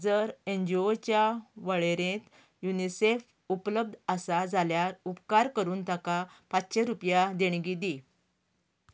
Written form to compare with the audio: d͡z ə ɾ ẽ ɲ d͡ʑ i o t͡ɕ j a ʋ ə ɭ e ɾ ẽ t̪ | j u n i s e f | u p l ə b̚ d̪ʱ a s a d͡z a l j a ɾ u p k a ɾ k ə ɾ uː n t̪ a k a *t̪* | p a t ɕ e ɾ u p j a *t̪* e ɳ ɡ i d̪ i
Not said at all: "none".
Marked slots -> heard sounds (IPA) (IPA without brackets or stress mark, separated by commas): none, d̪